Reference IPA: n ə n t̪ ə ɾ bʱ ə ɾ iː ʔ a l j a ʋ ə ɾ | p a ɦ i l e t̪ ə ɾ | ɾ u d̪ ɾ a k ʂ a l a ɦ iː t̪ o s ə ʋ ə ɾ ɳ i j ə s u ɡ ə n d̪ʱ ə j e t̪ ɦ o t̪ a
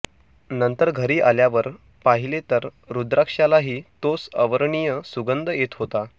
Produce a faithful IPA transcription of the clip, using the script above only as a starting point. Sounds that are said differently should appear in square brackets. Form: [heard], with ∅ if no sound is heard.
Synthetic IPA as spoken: n ə n t̪ ə ɾ [ɡʱ] ə ɾ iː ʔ a l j a ʋ ə ɾ | p a ɦ i l e t̪ ə ɾ | ɾ u d̪ ɾ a k ʂ a l a ɦ iː t̪ o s ə ʋ ə ɾ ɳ i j ə s u ɡ ə n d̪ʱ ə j e t̪ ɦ o t̪ a

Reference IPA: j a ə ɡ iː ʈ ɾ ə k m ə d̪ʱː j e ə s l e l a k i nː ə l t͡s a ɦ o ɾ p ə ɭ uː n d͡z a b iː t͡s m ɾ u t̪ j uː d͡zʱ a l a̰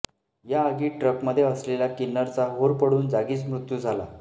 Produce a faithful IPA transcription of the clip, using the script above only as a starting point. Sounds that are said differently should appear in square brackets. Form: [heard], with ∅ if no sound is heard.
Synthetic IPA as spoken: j a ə ɡ iː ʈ ɾ ə k m ə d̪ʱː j e ə s l e l a k i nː ə [ɾ] t͡s a ɦ o ɾ p ə [ɽ] uː n d͡z a [ɡ] iː t͡s m ɾ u t̪ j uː d͡zʱ a l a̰

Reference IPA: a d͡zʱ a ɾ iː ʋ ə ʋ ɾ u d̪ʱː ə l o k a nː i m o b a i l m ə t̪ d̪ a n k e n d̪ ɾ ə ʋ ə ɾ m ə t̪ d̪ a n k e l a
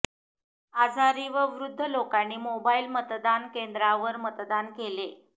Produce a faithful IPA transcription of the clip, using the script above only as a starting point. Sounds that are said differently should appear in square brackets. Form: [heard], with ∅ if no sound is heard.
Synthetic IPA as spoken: a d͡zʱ a ɾ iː ʋ ə ʋ ɾ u d̪ʱː ə l o k a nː [iː] m o b a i l m ə t̪ d̪ a n k e n d̪ ɾ [a] ʋ ə ɾ m ə t̪ d̪ a n k e l [e]

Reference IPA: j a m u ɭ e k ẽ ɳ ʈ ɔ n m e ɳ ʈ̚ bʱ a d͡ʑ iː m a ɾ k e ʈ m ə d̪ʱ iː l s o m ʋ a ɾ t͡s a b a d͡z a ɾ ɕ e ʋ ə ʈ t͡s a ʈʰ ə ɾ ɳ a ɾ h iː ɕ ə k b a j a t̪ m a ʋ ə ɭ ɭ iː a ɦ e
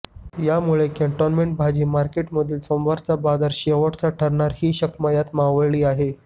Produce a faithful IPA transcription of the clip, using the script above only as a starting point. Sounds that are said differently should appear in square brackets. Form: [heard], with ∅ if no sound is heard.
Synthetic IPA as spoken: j a m u ɭ e k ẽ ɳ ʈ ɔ n m e ɳ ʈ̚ bʱ a d͡ʑ iː m a ɾ k e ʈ m ə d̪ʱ iː l s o m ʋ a ɾ t͡s a b a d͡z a ɾ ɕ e ʋ ə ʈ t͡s a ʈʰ ə ɾ ɳ a ɾ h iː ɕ ə k [m] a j a t̪ m a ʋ ə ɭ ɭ iː a ɦ e

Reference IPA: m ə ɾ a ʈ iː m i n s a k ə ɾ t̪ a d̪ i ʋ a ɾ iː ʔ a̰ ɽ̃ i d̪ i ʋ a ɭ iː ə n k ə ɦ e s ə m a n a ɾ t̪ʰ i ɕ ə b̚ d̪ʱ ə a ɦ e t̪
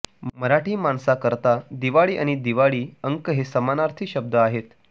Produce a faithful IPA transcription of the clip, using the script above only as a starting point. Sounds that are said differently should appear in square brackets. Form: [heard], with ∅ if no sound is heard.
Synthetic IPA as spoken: m ə ɾ a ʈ iː m [a] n s a k ə ɾ t̪ a d̪ i ʋ a [ɭ] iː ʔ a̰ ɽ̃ i d̪ i ʋ a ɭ iː ə [ŋ] k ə ɦ e s ə m a n a ɾ t̪ʰ i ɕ ə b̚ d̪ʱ ə a ɦ e t̪

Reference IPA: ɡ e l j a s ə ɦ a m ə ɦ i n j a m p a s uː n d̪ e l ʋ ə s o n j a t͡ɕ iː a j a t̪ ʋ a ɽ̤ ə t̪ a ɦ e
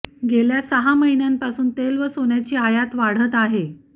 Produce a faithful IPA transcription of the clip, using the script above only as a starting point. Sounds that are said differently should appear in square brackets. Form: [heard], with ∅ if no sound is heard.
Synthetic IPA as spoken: ɡ e l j a s ə ɦ a m ə ɦ i n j a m p a s uː n [t̪] e l ʋ ə s o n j a t͡ɕ iː a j a t̪ ʋ a ɽ̤ ə t̪ a ɦ e

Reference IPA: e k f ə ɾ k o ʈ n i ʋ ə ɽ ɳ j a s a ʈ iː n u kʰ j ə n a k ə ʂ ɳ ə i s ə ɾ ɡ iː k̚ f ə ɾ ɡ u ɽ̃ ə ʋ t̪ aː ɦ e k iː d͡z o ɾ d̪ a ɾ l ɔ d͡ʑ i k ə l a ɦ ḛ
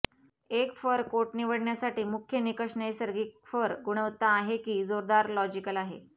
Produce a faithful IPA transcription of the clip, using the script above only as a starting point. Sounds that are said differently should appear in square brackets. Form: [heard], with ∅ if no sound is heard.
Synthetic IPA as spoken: e k f ə ɾ k o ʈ n i ʋ ə ɽ ɳ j a s a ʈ iː [m] u kʰ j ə n [i] k ə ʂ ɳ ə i s ə ɾ ɡ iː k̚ f ə ɾ ɡ u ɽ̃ ə ʋ t̪ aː ɦ e k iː d͡z o ɾ d̪ a ɾ l ɔ d͡ʑ i k ə l a ɦ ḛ

